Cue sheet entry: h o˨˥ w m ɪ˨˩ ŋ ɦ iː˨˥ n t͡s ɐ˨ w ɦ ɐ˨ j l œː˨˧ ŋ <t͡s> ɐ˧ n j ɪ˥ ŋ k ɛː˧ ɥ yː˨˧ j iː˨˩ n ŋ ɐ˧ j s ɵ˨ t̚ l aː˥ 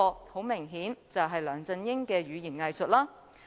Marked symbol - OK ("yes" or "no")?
yes